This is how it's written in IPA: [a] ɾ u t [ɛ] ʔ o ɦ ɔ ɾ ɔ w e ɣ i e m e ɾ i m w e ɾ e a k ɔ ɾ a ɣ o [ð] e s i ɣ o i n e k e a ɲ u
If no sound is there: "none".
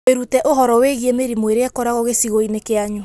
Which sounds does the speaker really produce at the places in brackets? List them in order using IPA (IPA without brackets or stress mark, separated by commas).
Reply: e, ɛ, ɣ